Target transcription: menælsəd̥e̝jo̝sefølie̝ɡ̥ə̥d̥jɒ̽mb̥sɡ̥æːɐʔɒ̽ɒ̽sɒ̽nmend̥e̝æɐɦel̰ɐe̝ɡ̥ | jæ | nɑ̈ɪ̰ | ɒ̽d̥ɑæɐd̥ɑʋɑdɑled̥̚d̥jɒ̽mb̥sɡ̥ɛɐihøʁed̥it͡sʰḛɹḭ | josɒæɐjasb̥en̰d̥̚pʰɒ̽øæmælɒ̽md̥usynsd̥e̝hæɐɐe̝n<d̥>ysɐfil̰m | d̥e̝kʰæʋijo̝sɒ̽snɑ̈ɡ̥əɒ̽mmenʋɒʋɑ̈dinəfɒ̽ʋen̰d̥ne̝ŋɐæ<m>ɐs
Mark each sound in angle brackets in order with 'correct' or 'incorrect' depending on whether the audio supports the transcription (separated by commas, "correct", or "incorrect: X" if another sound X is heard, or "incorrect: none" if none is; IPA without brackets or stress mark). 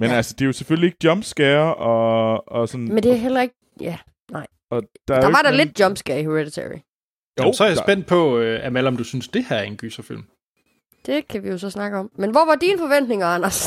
incorrect: ɡ̥, incorrect: n